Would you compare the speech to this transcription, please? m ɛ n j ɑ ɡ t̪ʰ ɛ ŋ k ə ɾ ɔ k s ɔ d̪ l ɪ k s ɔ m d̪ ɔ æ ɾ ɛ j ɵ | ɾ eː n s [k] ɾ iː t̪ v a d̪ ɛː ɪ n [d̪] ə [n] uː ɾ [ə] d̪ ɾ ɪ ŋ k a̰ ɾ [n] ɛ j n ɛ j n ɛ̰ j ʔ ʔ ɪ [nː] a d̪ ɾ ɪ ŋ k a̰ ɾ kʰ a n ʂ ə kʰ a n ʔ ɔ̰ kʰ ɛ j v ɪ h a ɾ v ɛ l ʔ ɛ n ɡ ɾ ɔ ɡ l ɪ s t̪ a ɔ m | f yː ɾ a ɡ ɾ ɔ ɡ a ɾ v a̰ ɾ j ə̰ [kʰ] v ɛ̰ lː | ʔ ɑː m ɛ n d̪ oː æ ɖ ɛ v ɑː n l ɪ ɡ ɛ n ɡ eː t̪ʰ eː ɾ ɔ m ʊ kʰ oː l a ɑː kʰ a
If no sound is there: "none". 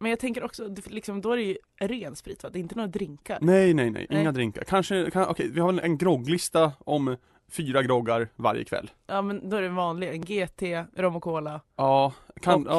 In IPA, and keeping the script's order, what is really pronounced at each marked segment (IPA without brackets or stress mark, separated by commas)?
p, t̪, n, a, n, ŋː, kʰ